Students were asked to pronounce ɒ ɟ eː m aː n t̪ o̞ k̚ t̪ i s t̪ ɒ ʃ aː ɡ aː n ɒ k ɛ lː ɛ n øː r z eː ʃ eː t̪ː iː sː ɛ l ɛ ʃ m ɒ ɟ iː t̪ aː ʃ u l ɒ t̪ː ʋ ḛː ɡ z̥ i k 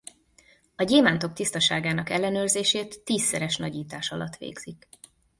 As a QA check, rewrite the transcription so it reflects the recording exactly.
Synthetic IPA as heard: ɒ ɟ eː m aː n t̪ o̞ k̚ t̪ i s t̪ ɒ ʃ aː ɡ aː n ɒ k ɛ lː ɛ n øː r z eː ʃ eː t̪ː iː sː ɛ ɾ ɛ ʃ n ɒ ɟ iː t̪ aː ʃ ɒ l ɒ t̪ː ʋ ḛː ɡ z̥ i k